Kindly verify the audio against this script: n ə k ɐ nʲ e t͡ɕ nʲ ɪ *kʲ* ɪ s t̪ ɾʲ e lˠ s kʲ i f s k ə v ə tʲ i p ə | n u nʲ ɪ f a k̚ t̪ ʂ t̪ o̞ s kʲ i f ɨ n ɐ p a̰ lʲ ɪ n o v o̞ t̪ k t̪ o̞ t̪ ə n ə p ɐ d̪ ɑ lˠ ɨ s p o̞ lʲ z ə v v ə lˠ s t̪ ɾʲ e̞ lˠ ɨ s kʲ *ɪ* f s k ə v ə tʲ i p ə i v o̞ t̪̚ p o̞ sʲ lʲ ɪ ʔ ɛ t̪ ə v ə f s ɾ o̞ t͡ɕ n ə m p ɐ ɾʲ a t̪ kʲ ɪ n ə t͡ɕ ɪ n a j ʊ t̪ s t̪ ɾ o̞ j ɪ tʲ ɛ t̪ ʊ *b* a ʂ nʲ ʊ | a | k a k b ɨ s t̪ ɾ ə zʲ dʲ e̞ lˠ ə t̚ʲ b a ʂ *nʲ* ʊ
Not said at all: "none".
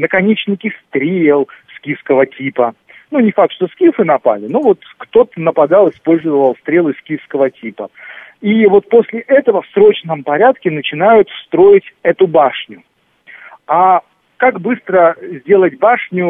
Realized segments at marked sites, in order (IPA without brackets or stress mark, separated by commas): kʲ, i, b, nʲ